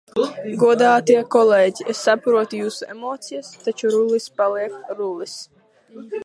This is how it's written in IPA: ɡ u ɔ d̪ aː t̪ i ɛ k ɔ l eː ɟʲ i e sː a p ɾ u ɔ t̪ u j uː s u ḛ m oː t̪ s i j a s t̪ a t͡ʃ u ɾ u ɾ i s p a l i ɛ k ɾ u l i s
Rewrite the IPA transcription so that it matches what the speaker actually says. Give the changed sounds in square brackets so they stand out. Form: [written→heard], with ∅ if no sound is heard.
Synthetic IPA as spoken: ɡ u ɔ d̪ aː t̪ i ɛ k ɔ l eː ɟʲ i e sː a p ɾ u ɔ t̪ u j uː s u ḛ m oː t̪ s i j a s t̪ a t͡ʃ u ɾ u [ɾ→l] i s p a l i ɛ k ɾ u l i s

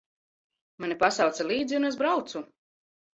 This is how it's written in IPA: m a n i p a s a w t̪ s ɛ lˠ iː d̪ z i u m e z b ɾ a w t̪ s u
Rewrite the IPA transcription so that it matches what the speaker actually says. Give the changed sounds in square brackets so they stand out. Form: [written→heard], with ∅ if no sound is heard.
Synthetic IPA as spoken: m a n i p a s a w t̪ s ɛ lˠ iː d̪ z i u [m→n] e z b ɾ a w t̪ s u

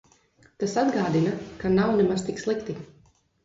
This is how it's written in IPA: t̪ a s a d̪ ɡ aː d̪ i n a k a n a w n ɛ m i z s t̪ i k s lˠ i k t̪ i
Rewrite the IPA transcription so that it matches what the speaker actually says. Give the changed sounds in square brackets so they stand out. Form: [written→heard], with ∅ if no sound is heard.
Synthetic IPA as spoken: t̪ a s a d̪ ɡ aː d̪ i n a k a n a w n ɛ m [i→a] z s t̪ i k s lˠ i k t̪ i

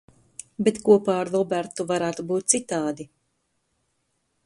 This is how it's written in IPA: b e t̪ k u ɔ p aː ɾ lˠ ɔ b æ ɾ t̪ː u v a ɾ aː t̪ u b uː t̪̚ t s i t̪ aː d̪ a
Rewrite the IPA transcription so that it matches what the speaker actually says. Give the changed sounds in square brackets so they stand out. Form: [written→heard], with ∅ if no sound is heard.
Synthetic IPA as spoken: b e t̪ k u ɔ p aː ɾ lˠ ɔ b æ ɾ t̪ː u v a ɾ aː t̪ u b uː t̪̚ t s i t̪ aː d̪ [a→i]

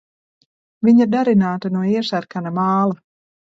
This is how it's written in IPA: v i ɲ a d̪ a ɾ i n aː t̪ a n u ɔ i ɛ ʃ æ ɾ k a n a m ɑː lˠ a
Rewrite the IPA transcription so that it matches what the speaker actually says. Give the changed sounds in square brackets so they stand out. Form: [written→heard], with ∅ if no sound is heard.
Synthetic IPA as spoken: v i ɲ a d̪ a ɾ i n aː t̪ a n u ɔ i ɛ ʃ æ ɾ k a n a m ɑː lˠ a

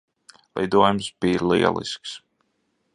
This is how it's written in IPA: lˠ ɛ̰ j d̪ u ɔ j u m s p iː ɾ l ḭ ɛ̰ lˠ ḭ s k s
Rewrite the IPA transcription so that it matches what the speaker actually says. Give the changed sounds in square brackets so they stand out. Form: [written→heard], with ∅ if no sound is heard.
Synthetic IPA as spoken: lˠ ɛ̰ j d̪ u ɔ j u m s [p→b] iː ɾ l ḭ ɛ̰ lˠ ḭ s k s

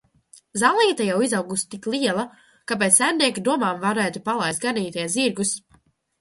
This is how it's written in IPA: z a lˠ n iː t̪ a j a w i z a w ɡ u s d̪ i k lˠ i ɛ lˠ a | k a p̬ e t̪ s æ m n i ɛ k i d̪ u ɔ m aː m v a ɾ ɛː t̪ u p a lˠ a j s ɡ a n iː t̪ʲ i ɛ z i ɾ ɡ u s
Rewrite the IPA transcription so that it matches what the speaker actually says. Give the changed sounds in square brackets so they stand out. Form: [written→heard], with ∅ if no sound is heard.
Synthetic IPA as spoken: z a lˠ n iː t̪ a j a w i z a w ɡ u s [d̪→t̪] i k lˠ i ɛ lˠ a | k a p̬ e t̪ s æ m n i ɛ k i d̪ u ɔ m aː m v a ɾ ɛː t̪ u p a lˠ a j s ɡ a n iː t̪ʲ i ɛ z i ɾ ɡ u s

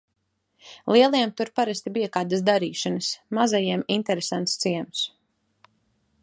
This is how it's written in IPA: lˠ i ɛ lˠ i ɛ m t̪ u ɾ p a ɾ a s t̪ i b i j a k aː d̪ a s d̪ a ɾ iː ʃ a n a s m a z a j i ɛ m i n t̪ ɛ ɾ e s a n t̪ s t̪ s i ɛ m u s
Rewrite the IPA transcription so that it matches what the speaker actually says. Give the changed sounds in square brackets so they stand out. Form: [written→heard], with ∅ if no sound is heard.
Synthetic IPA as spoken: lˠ i ɛ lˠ i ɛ m t̪ u ɾ p a ɾ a s t̪ i b i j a k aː d̪ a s d̪ a ɾ iː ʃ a n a s m a z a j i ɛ m i n t̪ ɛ ɾ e s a n t̪ s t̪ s i ɛ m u s

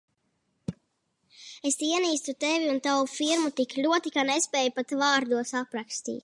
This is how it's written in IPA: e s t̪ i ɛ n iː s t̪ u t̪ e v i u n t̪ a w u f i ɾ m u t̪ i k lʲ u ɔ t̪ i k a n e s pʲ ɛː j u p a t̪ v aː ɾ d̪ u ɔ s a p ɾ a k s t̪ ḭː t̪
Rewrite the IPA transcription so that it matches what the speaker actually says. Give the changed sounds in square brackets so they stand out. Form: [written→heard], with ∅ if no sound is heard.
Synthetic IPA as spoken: e s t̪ i ɛ n iː s t̪ u t̪ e v i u n t̪ a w u f i ɾ m u t̪ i k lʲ u ɔ t̪ i k a n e s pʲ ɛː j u p a t̪ v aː ɾ d̪ u ɔ s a p ɾ a k s t̪ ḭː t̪

